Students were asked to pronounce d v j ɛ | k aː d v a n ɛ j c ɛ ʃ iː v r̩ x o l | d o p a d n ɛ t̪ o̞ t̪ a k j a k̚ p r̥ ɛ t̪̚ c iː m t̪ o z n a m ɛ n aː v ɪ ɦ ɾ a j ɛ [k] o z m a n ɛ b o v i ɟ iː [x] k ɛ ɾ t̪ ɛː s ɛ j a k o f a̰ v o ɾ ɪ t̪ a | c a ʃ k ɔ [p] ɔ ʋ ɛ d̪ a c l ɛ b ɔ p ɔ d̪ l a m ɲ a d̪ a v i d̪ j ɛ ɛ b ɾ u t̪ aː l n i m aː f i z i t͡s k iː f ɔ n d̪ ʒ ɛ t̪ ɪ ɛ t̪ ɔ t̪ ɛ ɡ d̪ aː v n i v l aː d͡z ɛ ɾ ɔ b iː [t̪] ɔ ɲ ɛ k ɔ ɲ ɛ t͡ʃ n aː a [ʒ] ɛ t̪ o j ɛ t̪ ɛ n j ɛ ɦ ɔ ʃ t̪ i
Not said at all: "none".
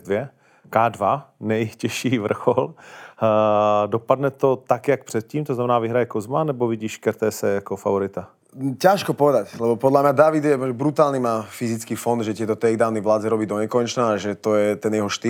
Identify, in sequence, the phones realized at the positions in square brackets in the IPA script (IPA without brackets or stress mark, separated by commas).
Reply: k, ʃ, p, d̪, ʒ